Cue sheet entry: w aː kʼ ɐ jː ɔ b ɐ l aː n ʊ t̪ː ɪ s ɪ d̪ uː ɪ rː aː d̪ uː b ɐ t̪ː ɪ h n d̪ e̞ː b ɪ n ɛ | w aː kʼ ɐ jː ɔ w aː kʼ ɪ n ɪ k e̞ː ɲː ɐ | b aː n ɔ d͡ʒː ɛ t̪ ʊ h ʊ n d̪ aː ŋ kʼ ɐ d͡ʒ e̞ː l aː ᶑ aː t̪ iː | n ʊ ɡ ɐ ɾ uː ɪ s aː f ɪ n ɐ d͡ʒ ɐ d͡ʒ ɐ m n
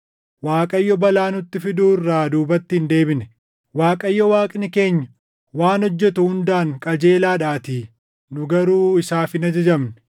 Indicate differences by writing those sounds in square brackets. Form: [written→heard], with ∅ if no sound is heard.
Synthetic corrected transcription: w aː kʼ ɐ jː ɔ b ɐ l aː n ʊ t̪ː ɪ [s→f] ɪ d̪ uː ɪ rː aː d̪ uː b ɐ t̪ː ɪ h n d̪ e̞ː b ɪ n ɛ | w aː kʼ ɐ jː ɔ w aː kʼ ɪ n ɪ k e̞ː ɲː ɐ | [b→w] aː n ɔ d͡ʒː ɛ t̪ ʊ h ʊ n d̪ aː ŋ kʼ ɐ d͡ʒ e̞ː l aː ᶑ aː t̪ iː | n ʊ ɡ ɐ ɾ uː ɪ s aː f ɪ n ɐ d͡ʒ ɐ d͡ʒ ɐ m n